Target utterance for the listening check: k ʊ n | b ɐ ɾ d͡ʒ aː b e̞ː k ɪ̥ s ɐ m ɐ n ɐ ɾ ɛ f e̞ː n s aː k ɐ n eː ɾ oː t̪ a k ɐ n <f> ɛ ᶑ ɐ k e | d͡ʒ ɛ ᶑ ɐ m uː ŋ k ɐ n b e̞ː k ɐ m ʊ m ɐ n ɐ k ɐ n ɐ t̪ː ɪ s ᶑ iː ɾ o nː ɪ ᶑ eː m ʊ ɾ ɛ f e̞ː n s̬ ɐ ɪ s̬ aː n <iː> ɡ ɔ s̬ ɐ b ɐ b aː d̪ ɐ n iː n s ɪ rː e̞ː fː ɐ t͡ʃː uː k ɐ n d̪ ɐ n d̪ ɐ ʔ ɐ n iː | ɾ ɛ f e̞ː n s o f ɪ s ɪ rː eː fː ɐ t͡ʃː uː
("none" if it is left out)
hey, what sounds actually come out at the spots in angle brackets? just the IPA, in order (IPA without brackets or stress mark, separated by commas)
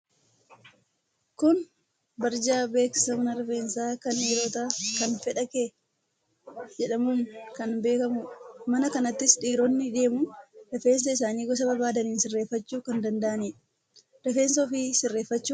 f, iː